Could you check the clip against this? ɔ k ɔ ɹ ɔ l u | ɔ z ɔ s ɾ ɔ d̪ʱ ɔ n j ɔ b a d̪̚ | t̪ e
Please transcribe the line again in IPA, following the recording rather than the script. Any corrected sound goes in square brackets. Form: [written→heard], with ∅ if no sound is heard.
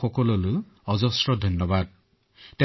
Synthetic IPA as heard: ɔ k ɔ [ɹ→l] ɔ l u | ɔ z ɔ s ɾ ɔ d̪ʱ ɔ n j ɔ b a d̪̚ | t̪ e